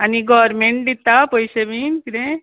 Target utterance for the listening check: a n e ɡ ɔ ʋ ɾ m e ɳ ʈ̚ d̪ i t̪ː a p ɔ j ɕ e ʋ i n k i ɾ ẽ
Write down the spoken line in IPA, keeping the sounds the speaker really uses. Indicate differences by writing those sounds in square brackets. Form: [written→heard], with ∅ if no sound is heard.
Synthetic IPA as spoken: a n [e→i] ɡ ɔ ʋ ɾ m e ɳ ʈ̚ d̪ i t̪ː a p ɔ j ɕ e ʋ i n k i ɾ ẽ

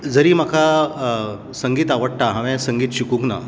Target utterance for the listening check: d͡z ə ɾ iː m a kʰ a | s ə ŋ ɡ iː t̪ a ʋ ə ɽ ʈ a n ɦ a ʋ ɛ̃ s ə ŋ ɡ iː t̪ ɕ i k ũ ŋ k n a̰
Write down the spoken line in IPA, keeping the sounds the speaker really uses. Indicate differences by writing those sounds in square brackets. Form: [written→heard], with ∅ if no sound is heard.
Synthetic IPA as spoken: d͡z ə ɾ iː m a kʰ a | s ə ŋ ɡ iː t̪ a ʋ ə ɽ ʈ a [n→∅] ɦ a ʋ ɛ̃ s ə ŋ ɡ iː t̪ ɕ i k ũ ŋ k n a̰

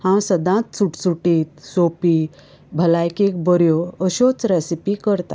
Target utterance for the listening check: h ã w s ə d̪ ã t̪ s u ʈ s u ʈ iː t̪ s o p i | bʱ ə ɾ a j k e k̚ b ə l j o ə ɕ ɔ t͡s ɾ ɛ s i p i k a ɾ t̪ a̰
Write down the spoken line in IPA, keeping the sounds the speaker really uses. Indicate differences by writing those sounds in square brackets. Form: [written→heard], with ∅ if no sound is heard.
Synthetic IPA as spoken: h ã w s ə d̪ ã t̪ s u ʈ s u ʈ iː t̪ s o p i | bʱ ə [ɾ→l] a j k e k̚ b ə [l→ɾ] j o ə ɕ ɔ t͡s ɾ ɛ s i p i k [a→ə] ɾ t̪ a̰

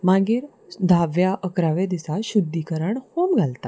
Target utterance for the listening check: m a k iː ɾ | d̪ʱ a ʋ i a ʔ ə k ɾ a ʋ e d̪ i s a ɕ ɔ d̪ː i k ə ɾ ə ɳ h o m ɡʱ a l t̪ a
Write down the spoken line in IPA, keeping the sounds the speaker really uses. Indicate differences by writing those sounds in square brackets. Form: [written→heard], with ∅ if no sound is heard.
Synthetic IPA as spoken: m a [k→ɡ] iː ɾ | d̪ʱ a ʋ [i→j] a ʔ ə k ɾ a ʋ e d̪ i s a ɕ [ɔ→u] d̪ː i k ə ɾ ə ɳ h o m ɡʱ a l t̪ a

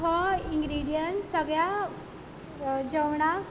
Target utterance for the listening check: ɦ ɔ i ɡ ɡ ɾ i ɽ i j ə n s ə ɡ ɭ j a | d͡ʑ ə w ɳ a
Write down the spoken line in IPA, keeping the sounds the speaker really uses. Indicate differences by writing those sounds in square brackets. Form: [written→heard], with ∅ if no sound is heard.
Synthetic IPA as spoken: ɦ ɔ i [ɡ→ŋ] ɡ ɾ i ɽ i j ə n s ə ɡ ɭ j a | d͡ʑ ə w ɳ a

